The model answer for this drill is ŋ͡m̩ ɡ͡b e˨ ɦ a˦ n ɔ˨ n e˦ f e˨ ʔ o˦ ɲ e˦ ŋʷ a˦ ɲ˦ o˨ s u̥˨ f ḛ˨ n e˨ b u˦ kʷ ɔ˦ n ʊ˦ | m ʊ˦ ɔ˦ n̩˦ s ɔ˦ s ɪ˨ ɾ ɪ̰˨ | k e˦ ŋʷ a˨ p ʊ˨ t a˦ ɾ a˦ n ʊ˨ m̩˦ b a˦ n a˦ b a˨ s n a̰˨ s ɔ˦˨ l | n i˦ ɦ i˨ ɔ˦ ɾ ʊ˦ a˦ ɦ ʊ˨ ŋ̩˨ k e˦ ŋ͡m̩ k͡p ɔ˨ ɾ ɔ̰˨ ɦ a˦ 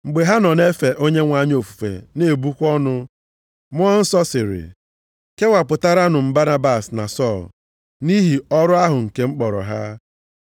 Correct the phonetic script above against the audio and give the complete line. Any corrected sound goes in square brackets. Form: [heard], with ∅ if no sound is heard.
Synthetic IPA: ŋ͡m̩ ɡ͡b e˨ ɦ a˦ n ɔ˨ n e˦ f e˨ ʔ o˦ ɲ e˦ ŋʷ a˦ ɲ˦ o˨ [f] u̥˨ f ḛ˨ n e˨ b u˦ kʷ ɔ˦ n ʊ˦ | m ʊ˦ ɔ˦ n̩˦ s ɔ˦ s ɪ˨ ɾ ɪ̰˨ | k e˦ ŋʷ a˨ p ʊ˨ t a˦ ɾ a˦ n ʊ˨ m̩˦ b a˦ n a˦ b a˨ s n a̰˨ s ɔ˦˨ l | n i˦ ɦ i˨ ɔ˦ ɾ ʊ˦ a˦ ɦ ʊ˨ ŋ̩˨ k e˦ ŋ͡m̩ k͡p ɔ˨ ɾ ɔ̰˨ ɦ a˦